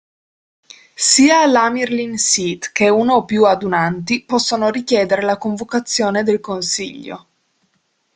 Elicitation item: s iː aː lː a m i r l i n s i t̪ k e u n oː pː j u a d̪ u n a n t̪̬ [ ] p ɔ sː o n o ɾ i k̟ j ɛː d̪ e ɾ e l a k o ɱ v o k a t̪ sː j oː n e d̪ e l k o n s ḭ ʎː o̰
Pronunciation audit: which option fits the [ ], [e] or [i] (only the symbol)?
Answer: i